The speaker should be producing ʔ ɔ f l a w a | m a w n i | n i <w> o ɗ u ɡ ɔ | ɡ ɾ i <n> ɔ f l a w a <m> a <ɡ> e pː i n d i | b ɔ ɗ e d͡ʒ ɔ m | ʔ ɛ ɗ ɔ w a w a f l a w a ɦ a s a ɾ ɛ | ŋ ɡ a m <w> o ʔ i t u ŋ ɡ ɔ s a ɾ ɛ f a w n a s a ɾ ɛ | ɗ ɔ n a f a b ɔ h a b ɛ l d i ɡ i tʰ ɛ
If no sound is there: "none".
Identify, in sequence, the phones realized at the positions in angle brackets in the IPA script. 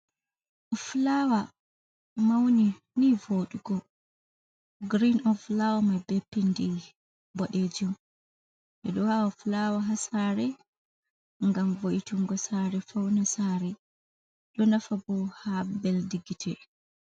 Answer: v, n, m, b, v

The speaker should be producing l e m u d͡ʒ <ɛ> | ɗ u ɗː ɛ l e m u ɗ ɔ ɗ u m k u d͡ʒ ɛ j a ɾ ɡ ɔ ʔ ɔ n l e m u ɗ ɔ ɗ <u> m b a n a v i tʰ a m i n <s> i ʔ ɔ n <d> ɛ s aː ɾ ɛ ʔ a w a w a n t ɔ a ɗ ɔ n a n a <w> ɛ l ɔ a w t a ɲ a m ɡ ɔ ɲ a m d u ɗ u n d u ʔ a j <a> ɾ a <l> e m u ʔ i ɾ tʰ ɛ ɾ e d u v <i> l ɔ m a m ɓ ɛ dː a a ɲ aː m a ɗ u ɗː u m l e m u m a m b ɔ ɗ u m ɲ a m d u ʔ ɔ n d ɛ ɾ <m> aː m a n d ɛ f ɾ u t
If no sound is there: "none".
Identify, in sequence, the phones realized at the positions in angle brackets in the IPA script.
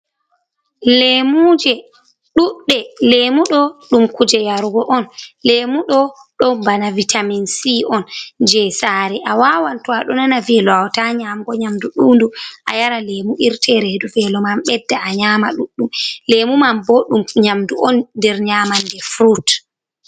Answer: ɛ, ɔ, s, d͡ʒ, v, a, l, ɛ, ɲ

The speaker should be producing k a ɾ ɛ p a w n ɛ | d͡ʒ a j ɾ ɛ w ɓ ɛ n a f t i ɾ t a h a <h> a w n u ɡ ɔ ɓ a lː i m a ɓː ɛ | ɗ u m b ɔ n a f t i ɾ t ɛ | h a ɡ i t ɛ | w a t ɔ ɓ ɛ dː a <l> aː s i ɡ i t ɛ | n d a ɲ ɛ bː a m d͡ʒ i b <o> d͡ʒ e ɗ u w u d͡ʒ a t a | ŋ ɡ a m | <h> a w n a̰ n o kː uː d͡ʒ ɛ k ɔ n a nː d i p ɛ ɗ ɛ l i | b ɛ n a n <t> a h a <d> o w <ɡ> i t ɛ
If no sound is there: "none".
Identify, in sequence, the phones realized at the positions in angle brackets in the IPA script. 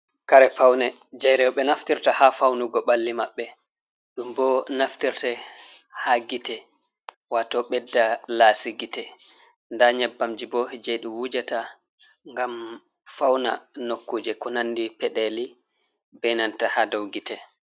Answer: f, l, ɔ, f, t, d, ɡ

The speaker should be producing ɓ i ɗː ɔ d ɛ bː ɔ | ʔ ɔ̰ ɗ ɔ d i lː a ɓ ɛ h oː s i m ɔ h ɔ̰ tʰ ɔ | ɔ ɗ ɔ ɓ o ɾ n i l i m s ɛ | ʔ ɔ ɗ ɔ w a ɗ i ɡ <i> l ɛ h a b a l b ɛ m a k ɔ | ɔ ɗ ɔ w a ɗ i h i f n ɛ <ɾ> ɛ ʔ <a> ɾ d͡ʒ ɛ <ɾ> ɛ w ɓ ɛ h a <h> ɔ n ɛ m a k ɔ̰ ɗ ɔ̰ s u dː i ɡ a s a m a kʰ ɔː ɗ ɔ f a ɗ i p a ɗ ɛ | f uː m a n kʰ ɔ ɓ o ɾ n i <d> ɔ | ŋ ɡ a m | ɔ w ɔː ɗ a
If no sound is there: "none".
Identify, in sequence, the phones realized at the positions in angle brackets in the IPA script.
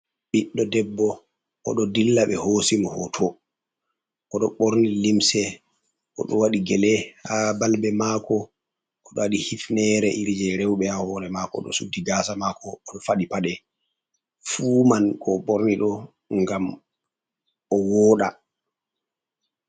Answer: ɛ, ɾ, i, ɾ, h, ɗ

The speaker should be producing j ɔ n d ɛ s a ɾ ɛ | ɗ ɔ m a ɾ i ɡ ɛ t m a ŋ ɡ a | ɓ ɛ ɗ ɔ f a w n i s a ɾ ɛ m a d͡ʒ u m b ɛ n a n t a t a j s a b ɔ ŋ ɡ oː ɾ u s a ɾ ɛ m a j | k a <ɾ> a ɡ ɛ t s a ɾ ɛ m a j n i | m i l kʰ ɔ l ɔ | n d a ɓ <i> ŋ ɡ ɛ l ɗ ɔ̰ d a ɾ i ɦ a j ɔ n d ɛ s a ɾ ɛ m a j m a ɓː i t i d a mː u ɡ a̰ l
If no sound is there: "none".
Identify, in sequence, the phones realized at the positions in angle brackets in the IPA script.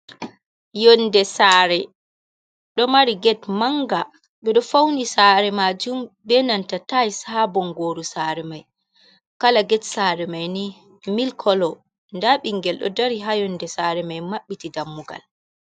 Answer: l, i

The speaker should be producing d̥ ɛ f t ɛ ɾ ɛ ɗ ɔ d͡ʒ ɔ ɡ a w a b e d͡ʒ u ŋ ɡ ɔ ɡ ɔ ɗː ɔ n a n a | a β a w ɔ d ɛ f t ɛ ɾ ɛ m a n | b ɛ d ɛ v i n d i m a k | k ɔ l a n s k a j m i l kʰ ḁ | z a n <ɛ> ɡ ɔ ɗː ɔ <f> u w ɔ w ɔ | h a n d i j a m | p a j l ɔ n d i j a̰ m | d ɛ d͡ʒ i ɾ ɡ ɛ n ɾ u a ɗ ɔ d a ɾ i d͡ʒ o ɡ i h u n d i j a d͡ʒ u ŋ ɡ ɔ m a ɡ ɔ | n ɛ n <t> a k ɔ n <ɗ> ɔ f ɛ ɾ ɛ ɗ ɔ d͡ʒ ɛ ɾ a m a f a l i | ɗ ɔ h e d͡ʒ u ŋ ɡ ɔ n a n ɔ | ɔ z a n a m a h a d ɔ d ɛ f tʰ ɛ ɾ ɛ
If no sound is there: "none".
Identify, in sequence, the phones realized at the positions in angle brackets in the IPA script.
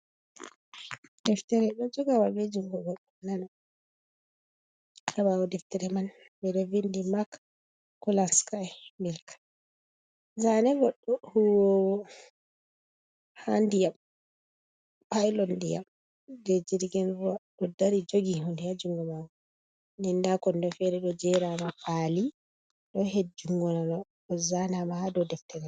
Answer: ɛ, h, d, d

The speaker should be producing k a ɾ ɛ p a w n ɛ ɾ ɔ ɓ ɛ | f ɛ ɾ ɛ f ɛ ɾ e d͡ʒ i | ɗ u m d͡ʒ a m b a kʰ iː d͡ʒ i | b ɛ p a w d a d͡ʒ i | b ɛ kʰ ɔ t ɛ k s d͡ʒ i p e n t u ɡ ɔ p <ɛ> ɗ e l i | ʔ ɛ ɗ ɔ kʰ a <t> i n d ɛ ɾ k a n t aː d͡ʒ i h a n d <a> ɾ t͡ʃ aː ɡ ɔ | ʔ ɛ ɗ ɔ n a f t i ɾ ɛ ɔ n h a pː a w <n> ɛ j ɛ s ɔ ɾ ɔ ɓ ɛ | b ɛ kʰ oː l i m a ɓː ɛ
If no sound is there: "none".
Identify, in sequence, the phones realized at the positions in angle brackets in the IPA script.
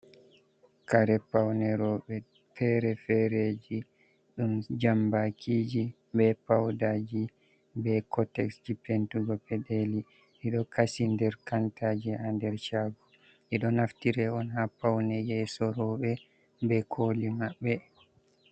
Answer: ɛ, s, ɛ, n

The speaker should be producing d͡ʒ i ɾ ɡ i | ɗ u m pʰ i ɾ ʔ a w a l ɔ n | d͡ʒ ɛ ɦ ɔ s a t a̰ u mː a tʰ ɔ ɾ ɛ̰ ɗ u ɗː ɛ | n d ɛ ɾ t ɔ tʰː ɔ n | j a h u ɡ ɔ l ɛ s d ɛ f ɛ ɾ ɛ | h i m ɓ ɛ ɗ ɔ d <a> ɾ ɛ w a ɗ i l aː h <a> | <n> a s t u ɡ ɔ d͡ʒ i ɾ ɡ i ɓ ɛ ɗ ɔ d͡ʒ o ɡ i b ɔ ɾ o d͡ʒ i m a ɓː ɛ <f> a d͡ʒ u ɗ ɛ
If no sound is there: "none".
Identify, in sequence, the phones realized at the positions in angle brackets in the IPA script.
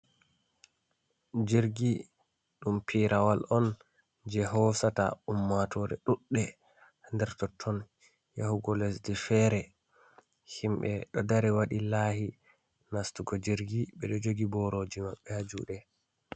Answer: a, i, n, h

